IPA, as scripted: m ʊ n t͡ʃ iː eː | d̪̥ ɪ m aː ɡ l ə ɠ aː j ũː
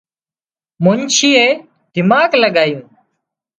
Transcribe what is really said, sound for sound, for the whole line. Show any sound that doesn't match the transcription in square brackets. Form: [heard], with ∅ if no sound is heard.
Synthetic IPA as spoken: m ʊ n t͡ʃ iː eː | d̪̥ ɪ m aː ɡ l ə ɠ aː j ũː